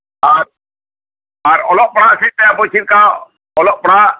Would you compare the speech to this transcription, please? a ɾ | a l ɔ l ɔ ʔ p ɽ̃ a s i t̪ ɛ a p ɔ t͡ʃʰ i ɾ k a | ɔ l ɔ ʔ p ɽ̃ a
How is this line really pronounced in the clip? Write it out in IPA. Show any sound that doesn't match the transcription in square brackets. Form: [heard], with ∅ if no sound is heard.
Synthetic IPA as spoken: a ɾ | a [ɾ] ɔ l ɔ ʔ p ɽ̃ a s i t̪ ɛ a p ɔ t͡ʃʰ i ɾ k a | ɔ l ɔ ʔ p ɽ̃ a

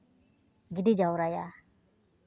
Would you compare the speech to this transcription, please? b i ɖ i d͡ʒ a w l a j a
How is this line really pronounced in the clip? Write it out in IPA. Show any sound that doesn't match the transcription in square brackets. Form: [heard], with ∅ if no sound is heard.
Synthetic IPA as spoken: [ɡ] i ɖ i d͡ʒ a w [ɾ] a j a

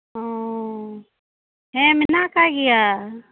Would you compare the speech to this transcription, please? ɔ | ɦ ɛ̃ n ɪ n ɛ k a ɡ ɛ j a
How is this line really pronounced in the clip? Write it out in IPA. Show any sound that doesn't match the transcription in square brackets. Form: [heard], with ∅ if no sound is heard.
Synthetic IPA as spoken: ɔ | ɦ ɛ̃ [m] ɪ n [a] k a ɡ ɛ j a

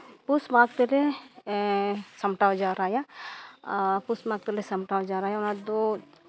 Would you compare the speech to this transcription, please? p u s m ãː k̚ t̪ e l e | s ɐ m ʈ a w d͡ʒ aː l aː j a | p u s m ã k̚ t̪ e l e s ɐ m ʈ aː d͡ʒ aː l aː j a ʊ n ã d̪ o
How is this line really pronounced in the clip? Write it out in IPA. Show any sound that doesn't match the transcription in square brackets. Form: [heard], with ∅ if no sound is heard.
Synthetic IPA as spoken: p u s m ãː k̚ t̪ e l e | s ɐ m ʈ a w d͡ʒ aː [ɾ] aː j a | p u s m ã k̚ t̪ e l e s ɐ m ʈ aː d͡ʒ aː [ɾ] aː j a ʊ n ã d̪ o

